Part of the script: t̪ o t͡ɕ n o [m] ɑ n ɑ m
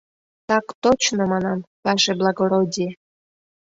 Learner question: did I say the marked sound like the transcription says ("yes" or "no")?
yes